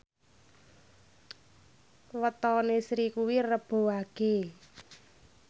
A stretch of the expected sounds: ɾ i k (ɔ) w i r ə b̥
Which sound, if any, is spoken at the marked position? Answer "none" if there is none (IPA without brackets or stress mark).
u